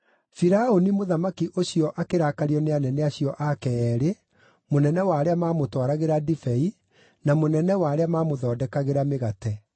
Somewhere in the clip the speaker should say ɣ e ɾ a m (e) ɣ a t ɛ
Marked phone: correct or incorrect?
correct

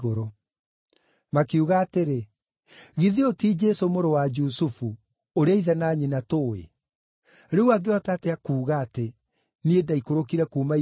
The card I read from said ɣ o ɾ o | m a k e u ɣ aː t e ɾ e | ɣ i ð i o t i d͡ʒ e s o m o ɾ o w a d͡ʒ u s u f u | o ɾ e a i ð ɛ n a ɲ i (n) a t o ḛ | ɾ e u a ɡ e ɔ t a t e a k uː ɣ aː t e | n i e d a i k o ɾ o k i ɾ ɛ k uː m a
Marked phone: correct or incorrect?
correct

